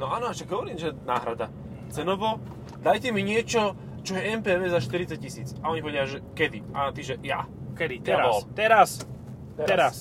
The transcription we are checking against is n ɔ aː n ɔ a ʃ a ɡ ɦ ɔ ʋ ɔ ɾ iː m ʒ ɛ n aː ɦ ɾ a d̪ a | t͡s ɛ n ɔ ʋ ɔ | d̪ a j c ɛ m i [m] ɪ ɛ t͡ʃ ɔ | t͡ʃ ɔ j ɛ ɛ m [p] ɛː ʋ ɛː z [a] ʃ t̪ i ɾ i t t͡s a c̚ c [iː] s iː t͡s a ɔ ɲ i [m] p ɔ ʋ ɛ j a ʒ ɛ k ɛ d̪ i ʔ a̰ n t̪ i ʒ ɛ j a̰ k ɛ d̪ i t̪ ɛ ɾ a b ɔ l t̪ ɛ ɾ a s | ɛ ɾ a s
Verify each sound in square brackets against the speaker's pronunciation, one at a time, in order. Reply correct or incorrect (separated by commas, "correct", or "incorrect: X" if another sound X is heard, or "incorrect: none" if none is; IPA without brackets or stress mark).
incorrect: ɲ, correct, correct, incorrect: i, incorrect: none